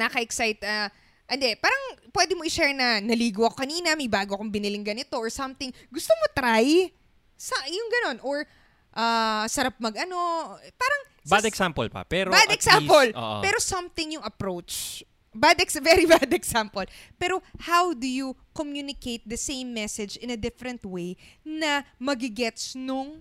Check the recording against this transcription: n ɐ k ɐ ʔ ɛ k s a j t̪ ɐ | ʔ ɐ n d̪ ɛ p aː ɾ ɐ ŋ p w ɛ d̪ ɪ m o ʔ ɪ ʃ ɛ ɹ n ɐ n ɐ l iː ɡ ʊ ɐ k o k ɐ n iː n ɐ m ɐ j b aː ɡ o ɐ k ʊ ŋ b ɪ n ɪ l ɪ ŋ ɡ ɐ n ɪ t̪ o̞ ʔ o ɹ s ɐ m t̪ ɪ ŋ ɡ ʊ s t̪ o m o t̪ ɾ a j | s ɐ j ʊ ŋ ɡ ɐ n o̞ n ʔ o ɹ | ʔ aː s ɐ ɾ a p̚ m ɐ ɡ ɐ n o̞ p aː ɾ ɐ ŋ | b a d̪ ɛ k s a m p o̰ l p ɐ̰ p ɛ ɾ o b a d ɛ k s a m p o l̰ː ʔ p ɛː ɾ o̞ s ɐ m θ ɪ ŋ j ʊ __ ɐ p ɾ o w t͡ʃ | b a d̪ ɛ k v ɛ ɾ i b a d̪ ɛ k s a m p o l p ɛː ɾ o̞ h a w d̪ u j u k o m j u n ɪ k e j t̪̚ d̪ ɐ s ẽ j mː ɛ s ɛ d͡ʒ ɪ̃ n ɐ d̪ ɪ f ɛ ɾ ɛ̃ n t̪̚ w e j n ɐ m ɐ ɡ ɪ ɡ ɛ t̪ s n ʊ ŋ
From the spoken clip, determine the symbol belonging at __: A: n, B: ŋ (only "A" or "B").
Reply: B